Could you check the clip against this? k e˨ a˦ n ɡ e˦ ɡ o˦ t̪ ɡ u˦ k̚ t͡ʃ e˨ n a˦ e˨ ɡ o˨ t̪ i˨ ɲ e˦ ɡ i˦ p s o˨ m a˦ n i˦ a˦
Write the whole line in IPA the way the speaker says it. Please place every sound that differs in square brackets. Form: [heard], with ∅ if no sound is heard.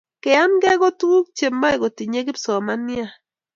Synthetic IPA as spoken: k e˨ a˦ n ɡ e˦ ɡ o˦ t̪ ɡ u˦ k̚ t͡ʃ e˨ [m] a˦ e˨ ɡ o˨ t̪ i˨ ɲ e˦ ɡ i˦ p s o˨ m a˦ n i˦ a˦

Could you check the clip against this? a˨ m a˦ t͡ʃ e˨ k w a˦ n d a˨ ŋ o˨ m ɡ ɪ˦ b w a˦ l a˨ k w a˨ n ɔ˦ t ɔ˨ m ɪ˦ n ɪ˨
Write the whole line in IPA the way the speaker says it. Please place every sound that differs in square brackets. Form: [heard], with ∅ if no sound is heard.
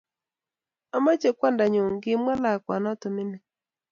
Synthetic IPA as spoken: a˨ m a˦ t͡ʃ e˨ k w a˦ n d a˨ [ɲ] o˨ [ŋ] ɡ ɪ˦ [m] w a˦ l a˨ k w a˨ n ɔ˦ t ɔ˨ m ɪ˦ n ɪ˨

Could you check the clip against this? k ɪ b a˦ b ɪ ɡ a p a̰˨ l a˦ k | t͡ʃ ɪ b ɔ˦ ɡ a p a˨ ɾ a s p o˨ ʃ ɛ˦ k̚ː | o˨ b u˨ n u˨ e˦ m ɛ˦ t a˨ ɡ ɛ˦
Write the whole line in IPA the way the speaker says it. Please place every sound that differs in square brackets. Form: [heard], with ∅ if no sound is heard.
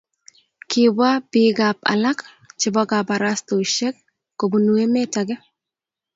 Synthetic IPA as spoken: k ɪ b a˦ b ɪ ɡ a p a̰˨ l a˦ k | t͡ʃ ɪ b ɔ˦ ɡ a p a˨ ɾ a s [t] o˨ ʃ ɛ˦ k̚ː | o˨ b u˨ n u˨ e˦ m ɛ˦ t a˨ ɡ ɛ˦

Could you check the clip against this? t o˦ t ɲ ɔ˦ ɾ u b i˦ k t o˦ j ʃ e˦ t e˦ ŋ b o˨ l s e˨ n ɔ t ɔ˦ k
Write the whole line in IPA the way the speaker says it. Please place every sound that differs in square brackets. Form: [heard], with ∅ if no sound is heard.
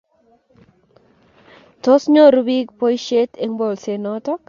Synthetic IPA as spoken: t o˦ [s] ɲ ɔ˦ ɾ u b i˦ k [p] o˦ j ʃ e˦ t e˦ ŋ b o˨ l s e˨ n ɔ t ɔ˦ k

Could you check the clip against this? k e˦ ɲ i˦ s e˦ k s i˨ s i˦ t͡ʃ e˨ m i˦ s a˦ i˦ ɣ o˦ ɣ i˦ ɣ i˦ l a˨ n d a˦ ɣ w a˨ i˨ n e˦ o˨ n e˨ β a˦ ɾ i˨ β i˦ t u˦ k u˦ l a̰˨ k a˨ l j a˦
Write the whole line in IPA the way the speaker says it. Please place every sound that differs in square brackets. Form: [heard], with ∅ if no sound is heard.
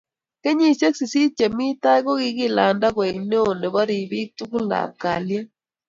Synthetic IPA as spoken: k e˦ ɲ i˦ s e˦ k s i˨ s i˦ t͡ʃ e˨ m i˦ [t] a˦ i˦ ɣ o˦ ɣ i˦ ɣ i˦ l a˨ n d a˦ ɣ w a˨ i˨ n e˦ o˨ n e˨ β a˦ ɾ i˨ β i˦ t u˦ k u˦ l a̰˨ k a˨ l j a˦

